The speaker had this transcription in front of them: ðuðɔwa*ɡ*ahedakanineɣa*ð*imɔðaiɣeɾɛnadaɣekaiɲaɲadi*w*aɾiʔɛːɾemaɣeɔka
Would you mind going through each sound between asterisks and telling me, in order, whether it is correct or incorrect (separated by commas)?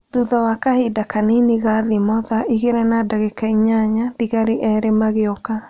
incorrect, correct, incorrect